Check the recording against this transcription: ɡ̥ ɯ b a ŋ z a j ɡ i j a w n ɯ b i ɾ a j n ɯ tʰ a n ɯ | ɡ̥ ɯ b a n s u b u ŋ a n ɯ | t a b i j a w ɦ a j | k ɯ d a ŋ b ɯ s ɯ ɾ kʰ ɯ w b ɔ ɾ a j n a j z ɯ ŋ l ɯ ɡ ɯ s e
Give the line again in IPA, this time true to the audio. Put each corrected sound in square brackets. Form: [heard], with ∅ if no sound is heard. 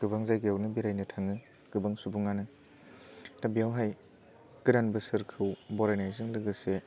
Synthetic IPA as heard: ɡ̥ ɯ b a ŋ z a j ɡ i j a w n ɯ b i ɾ a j n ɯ tʰ a [ŋ] ɯ | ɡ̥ ɯ b a [ŋ] s u b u ŋ a n ɯ | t a b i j a w ɦ a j | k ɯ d a [n] b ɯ s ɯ ɾ kʰ ɯ w b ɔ ɾ a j n a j z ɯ ŋ l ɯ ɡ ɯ s e